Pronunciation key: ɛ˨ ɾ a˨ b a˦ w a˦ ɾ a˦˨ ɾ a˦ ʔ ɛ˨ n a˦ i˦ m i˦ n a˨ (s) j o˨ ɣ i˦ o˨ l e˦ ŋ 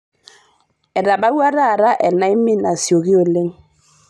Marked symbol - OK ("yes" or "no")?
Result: yes